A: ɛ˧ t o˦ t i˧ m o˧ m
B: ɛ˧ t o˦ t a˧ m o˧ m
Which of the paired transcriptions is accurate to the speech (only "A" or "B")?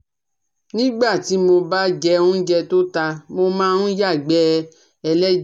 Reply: B